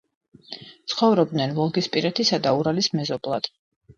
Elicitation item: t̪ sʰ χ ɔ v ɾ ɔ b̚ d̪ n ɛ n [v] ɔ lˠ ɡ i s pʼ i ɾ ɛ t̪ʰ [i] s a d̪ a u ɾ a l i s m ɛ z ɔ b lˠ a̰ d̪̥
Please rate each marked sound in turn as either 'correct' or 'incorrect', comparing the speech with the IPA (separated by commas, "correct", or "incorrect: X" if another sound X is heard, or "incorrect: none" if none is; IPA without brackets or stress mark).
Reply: correct, correct